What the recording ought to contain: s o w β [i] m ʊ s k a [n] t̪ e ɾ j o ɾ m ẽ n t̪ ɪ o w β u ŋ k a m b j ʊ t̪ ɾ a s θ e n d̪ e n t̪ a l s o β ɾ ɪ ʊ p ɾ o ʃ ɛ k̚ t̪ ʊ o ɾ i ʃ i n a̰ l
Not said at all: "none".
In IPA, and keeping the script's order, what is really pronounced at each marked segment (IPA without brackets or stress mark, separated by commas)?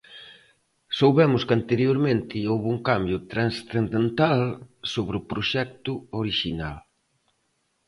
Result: ɛ, n